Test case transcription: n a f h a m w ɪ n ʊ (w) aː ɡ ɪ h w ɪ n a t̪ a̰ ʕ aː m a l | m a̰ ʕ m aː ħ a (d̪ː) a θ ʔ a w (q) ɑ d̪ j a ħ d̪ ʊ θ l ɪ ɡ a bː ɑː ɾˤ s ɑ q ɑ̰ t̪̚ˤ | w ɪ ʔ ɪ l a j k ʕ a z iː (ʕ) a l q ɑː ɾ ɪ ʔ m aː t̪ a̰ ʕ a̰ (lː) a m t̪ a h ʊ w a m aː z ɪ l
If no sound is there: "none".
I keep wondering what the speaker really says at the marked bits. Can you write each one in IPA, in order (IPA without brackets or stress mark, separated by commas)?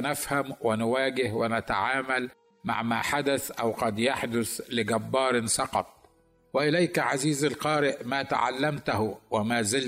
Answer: w, d̪, q, z, lː